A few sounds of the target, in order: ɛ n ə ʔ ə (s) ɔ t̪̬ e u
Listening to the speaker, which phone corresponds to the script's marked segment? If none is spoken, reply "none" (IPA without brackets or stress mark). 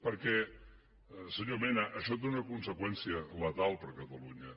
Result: ʃ